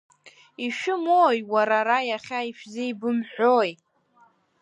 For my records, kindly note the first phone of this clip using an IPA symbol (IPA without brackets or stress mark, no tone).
i